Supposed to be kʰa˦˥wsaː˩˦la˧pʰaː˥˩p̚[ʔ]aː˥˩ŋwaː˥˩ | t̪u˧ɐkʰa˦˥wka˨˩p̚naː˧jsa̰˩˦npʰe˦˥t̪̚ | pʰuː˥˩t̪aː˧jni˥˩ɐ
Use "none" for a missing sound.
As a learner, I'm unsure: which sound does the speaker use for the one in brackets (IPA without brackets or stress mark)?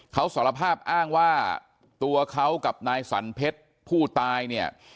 ʔ